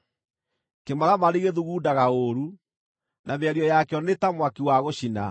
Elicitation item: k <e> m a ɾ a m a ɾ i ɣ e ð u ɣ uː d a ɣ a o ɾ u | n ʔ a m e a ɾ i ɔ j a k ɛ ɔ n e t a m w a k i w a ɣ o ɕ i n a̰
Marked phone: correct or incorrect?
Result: correct